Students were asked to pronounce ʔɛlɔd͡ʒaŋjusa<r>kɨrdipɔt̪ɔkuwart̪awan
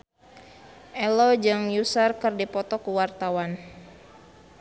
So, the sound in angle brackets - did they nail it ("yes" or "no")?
yes